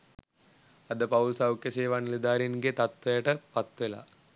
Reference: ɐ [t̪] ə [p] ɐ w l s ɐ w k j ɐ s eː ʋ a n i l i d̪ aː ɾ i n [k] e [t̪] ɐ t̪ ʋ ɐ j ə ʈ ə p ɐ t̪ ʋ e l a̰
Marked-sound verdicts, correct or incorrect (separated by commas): incorrect, correct, incorrect, correct